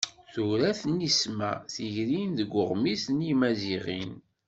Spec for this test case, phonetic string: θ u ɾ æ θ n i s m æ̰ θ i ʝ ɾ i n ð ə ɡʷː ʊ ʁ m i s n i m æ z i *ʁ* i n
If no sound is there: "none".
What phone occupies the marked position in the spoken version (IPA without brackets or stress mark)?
ʁ